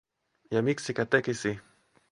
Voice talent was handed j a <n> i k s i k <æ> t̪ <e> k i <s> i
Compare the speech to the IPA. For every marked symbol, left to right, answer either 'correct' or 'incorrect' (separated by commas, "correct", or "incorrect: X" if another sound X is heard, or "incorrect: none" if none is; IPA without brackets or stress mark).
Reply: incorrect: m, incorrect: a, correct, correct